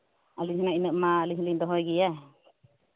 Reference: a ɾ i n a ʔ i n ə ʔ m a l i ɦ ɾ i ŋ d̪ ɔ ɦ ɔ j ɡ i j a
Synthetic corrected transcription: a l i n a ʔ i n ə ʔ m a l i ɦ l i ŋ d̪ ɔ ɦ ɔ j ɡ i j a